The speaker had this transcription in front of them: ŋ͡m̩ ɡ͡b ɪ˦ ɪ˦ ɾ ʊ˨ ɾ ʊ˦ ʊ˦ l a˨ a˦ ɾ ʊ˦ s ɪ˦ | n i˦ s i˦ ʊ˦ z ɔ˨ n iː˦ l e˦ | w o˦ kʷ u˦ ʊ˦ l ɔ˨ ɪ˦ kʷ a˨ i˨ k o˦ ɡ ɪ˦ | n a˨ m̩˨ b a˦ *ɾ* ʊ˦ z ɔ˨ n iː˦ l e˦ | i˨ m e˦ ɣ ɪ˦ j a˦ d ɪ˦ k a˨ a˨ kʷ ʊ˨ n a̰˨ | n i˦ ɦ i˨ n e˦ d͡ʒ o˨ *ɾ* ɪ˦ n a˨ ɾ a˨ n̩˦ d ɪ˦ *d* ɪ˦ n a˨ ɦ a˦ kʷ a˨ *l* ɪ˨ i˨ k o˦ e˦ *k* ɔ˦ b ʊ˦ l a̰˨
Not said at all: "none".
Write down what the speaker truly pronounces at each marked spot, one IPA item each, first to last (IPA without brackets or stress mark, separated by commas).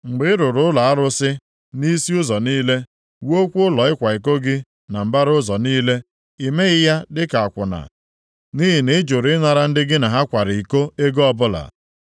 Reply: ɾ, ɾ, ɡ, ɾ, ɡ